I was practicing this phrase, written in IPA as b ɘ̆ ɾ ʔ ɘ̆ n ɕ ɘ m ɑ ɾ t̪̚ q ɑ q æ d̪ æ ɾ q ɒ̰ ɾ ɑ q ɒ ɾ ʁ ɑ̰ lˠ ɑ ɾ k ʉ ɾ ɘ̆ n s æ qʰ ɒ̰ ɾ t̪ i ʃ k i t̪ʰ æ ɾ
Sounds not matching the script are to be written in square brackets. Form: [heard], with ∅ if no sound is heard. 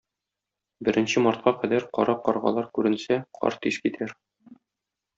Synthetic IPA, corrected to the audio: b ɘ̆ ɾ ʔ ɘ̆ n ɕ ɘ m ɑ ɾ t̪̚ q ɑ q æ d̪ æ ɾ q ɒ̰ ɾ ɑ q ɒ ɾ ʁ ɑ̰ lˠ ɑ ɾ k ʉ ɾ ɘ̆ n s æ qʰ ɒ̰ ɾ t̪ i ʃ k i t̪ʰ æ ɾ